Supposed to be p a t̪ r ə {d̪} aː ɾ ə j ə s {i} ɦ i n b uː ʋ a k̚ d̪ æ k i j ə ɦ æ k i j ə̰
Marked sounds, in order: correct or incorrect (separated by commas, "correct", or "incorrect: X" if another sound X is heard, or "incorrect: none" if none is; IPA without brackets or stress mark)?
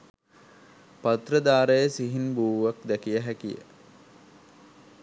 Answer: correct, correct